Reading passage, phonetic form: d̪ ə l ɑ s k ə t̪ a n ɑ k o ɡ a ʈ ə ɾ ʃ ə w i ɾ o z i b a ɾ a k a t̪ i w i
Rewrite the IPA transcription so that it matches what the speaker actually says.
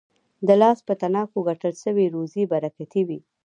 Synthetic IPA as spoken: d̪ ə l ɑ s p ə t̪ a n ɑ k o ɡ a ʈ ə l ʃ ə w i ɾ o z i b a ɾ a k a t̪ i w i

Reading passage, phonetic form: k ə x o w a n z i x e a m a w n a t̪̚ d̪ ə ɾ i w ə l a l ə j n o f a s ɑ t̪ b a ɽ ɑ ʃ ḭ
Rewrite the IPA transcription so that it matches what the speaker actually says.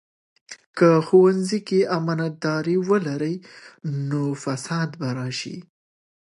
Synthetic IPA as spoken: k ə x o w a n z i k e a m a n a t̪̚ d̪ ɑ ɾ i w ə l a ɾ ə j n o f a s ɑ d̪ b a ɾ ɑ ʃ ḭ

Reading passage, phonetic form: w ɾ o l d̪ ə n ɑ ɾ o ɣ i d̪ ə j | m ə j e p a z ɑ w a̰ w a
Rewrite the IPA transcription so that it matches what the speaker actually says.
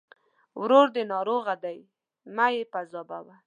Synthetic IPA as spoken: w ɾ o ɾ d̪ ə n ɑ ɾ o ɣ a d̪ a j | m a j e p a z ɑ b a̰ w a

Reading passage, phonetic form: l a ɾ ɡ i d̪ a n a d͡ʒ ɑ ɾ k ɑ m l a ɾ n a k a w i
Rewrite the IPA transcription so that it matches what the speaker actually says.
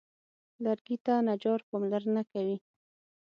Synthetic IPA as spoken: l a ɾ ɡ i t̪ a n a d͡ʒ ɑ ɾ p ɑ m l a ɾ n a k a w i

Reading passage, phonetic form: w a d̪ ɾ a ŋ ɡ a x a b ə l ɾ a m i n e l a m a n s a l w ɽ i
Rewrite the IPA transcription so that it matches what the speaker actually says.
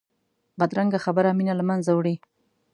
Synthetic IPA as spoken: b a d̪ ɾ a ŋ ɡ a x a b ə ɾ a m i n a l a m a n z a w ɽ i

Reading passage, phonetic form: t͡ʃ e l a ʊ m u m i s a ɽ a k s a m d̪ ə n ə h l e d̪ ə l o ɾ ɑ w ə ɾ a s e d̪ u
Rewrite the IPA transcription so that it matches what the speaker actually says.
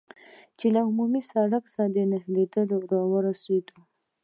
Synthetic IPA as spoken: t͡ʃ e l a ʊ m u m i s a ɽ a k s a d̪ ə n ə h l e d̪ ə l o ɾ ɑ w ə ɾ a s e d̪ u

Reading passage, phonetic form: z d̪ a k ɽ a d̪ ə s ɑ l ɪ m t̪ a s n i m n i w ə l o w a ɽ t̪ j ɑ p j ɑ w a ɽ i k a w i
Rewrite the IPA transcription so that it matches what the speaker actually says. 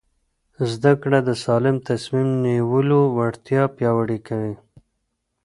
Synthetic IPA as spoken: z d̪ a k ɽ a d̪ ə s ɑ l ɪ m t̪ a s m i m n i w ə l o w a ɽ t̪ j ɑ p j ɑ w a ɽ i k a w i

